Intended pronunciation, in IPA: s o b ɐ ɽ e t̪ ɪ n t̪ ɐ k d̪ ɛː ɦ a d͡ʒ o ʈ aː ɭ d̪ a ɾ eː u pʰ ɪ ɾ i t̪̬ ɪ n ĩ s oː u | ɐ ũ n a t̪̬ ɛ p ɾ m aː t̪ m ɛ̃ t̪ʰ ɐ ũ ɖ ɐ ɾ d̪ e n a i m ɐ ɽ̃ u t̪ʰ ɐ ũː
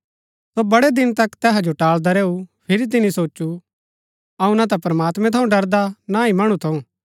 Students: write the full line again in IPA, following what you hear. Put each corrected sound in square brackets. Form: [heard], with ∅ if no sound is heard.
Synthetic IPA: s o b ɐ ɽ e [d̪] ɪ n t̪ ɐ k [t̪] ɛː ɦ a d͡ʒ o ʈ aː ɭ d̪ a ɾ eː u pʰ ɪ ɾ i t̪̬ ɪ n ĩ s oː u | ɐ ũ n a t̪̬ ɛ p ɾ m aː t̪ m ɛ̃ t̪ʰ ɐ ũ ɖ ɐ ɾ d̪ [a] n a i m ɐ ɽ̃ u t̪ʰ ɐ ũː